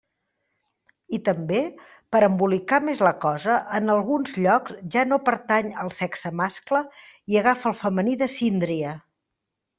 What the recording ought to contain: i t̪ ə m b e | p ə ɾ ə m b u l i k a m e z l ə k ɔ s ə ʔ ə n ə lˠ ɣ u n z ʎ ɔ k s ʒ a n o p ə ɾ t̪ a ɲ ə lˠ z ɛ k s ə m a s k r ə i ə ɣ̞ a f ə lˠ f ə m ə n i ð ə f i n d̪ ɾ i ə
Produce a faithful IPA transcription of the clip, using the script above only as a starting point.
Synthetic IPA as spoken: i t̪ ə m b e | p ə ɾ ə m b u l i k a m e z l ə k ɔ z ə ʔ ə n ə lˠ ɣ u n z ʎ ɔ k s ʒ a n o p ə ɾ t̪ a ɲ ə lˠ s ɛ k s ə m a s k l ə i ə ɣ̞ a f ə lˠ f ə m ə n i ð ə s i n d̪ ɾ i ə